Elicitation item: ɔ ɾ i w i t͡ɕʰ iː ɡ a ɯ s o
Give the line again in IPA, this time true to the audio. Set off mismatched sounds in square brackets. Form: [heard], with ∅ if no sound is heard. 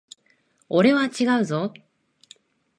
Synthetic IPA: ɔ ɾ [e] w [a] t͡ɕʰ [i] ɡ a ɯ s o

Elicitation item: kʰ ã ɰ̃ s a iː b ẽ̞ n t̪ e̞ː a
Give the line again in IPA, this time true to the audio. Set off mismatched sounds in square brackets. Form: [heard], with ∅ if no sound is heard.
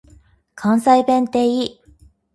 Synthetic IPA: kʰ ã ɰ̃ s a [i] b ẽ̞ n t̪ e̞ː [i]

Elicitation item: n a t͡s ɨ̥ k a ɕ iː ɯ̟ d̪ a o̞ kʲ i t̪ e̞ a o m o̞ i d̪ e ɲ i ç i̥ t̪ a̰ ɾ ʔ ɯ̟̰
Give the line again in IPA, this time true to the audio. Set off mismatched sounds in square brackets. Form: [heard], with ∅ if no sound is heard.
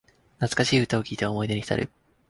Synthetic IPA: n a t͡s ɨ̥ k a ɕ iː ɯ̟ [t̪] a o̞ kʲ [iː] t̪ e̞ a o m o̞ i d̪ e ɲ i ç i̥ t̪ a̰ ɾ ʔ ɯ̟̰

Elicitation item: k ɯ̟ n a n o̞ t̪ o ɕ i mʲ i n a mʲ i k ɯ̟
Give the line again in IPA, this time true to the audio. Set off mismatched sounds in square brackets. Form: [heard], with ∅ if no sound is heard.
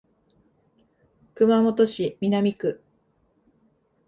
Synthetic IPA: k ɯ̟ [m] a [m] o̞ t̪ o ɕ i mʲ i n a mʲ i k ɯ̟

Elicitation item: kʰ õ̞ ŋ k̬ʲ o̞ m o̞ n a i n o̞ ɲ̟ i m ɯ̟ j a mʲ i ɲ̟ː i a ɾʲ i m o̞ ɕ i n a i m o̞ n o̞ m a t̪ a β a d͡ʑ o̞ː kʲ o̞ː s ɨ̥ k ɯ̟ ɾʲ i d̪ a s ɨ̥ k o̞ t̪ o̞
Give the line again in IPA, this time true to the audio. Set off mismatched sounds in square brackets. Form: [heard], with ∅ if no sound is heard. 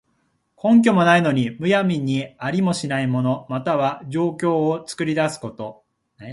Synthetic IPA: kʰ õ̞ ŋ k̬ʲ o̞ m o̞ n a i n o̞ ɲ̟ i m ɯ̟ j a mʲ i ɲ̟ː i a ɾʲ i m o̞ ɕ i n a i m o̞ n o̞ m a t̪ a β a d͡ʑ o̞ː kʲ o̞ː [t͡s] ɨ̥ k ɯ̟ ɾʲ i d̪ a s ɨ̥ k o̞ t̪ o̞

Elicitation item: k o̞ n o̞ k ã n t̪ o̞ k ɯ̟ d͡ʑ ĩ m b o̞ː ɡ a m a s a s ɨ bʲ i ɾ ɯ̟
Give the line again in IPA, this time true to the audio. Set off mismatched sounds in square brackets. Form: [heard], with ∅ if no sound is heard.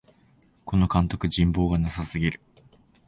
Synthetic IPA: k o̞ n o̞ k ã n t̪ o̞ k ɯ̟ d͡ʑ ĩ m b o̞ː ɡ a [n] a s a s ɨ [ɡʲ] i ɾ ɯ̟

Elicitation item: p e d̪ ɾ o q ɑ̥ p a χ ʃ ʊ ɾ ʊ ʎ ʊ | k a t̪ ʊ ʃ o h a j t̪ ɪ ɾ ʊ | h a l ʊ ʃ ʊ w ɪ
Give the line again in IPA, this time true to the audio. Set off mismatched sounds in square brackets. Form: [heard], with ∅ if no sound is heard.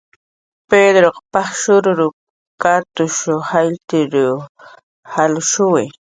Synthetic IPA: p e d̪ ɾ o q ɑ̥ p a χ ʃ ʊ ɾ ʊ [ɾ] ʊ | k a t̪ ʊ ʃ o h a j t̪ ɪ ɾ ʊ | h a l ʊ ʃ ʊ w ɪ

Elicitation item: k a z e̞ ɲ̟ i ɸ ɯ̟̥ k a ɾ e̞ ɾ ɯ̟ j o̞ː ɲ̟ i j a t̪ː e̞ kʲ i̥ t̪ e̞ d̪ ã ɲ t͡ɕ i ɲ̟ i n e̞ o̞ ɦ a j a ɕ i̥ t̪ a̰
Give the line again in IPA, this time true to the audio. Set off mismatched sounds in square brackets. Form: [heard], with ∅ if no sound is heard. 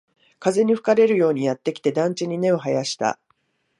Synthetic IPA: k a z e̞ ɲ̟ i ɸ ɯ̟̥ k a ɾ e̞ ɾ ɯ̟ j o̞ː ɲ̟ i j a t̪ː e̞ kʲ i̥ t̪ e̞ d̪ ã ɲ t͡ɕ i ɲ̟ i n e̞ o̞ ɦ a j a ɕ i̥ t̪ a̰

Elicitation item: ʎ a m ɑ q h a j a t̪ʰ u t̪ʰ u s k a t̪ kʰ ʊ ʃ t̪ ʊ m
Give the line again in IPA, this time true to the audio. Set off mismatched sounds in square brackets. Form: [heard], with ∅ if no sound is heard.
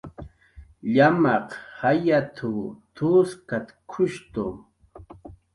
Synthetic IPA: ʎ a m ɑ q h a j a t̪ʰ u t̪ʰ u s k a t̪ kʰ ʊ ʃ t̪ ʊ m

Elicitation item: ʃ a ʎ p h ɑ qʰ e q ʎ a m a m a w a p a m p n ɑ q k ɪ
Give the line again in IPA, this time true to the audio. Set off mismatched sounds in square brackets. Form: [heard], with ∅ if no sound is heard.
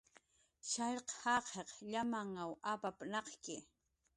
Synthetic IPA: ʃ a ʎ [q] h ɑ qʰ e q ʎ a m a [ŋ] a w a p a [∅] p n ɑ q k ɪ

